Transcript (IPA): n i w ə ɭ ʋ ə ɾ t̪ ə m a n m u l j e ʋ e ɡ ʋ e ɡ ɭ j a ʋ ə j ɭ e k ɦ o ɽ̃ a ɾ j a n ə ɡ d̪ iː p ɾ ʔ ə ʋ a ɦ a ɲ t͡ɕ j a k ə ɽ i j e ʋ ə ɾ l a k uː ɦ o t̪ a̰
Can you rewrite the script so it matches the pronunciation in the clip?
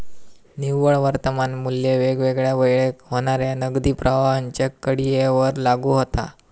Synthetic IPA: n i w ə ɭ ʋ ə ɾ t̪ ə m a n m u l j e ʋ e ɡ ʋ e ɡ ɭ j a ʋ ə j ɭ e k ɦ o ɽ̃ a ɾ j a n ə ɡ d̪ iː p ɾ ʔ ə ʋ a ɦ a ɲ t͡ɕ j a k ə ɽ i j e ʋ ə ɾ l a ɡ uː ɦ o t̪ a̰